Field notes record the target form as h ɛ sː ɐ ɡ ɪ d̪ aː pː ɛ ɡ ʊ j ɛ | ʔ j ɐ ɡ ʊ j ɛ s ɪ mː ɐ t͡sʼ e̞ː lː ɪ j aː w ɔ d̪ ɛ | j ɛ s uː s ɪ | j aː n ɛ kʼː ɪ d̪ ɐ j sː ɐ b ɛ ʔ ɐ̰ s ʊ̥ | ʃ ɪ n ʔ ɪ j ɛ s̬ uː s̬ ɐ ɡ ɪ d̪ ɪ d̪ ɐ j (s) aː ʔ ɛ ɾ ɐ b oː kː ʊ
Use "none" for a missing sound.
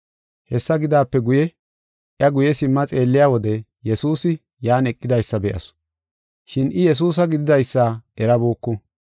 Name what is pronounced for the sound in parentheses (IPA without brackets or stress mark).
sː